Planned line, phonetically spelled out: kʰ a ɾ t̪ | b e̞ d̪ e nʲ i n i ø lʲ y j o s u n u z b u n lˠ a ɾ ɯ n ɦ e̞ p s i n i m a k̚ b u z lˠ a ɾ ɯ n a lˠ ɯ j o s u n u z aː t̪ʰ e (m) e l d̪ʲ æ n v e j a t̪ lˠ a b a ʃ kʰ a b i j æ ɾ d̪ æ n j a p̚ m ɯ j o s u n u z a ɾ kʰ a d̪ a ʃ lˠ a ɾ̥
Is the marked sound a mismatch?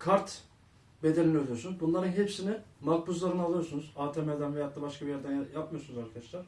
no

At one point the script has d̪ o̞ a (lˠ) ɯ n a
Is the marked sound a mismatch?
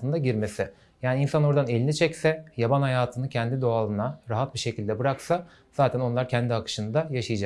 no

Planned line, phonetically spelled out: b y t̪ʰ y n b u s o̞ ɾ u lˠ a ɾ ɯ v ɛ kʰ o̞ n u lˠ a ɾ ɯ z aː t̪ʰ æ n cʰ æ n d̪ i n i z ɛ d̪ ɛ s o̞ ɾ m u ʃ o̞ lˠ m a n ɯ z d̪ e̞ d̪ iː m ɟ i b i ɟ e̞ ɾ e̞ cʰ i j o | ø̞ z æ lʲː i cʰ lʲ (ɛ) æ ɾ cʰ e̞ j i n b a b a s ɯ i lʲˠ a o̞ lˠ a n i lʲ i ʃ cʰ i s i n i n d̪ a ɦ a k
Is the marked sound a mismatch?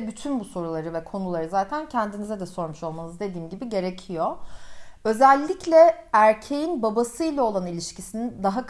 no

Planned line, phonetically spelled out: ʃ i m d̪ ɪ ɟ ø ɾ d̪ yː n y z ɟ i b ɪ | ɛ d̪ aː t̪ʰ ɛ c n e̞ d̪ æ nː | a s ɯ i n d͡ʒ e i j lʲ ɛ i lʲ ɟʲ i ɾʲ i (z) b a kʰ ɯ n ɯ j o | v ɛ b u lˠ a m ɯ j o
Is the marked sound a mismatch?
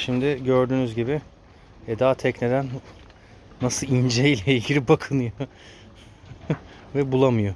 yes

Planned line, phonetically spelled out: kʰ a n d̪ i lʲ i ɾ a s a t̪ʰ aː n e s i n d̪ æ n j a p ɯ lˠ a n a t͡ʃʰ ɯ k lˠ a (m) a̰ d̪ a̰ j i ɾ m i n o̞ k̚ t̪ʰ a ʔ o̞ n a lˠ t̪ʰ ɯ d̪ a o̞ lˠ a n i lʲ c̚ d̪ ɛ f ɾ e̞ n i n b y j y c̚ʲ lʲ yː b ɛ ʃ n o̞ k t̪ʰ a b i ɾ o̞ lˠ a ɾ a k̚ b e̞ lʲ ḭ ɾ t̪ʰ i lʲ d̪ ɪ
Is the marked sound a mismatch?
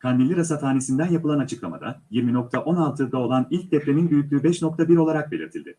no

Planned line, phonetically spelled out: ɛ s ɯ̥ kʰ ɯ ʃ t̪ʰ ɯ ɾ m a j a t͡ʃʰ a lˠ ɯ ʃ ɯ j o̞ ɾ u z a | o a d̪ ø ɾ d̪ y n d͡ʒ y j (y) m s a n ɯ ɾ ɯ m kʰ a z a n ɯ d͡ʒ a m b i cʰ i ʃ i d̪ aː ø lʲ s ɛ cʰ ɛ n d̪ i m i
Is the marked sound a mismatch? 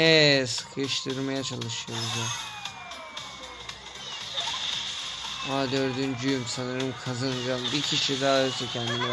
no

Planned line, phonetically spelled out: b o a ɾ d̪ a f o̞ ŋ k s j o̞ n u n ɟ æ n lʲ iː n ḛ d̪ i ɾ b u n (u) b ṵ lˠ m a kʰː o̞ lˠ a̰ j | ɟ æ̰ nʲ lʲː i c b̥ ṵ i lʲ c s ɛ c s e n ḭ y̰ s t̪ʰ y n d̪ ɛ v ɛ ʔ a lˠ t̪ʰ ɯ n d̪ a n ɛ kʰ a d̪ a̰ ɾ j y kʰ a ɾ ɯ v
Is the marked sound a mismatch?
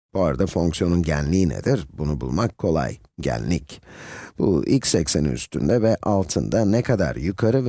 no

